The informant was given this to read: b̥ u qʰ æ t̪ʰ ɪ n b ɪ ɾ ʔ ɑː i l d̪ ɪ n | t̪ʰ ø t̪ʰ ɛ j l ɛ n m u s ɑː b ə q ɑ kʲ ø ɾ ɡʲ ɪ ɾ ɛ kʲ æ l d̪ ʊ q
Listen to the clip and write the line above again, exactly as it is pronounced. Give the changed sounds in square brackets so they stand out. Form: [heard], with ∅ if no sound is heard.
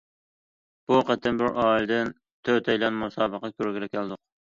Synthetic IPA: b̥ u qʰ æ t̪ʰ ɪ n b ɪ ɾ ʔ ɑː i l d̪ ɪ n | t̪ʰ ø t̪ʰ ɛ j l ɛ n m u s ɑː b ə q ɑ kʲ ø ɾ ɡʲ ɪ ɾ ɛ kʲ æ l d̪ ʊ q